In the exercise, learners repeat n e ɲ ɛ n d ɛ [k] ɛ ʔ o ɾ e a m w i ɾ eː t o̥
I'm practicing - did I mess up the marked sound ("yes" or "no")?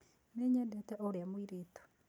yes